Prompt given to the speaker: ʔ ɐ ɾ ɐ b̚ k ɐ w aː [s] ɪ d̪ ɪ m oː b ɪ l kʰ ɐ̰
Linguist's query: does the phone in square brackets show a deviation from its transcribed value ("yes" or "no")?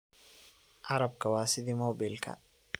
no